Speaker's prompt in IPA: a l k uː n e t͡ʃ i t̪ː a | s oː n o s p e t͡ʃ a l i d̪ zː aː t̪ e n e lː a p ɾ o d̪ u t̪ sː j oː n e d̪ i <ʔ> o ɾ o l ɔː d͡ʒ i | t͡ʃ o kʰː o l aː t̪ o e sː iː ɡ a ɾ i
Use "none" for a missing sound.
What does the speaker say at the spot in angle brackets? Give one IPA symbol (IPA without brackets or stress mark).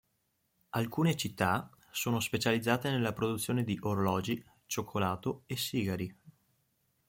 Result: ʔ